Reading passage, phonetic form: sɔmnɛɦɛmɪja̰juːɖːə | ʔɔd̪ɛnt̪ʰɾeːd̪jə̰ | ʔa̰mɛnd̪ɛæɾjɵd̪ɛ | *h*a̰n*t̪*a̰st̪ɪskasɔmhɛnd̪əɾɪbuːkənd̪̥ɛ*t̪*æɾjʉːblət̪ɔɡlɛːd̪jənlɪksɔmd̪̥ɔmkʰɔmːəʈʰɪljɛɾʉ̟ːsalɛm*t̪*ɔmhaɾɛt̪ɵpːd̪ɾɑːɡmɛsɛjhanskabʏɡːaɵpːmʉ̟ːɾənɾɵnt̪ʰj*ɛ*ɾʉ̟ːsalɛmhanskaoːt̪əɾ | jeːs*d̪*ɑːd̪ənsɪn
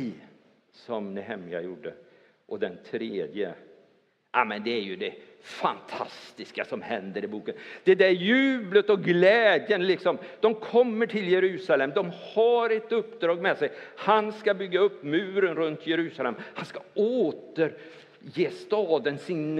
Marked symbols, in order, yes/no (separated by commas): no, no, no, no, yes, no